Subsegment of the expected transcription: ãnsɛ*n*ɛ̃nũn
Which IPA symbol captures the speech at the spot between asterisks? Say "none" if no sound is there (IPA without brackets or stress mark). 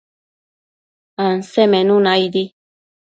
m